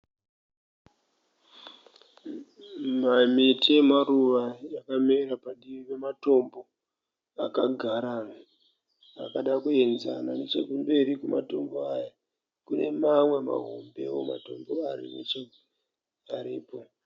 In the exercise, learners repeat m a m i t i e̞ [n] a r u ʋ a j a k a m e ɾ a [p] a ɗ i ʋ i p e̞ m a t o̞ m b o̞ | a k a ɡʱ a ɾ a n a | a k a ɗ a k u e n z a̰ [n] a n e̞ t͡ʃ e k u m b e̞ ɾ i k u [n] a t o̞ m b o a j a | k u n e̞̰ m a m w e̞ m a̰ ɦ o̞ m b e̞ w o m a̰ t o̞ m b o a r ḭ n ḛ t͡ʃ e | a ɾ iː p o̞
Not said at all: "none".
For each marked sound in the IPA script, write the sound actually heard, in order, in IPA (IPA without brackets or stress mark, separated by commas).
m, p, n, m